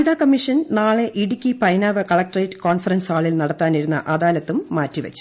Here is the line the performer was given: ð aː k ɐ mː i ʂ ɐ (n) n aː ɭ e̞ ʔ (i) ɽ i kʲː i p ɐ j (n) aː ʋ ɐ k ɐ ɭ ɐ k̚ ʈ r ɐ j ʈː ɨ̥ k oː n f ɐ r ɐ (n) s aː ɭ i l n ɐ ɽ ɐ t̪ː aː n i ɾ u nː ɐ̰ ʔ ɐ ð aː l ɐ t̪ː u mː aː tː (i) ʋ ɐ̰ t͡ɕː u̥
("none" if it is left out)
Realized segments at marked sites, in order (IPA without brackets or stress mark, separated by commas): n, i, n, n, i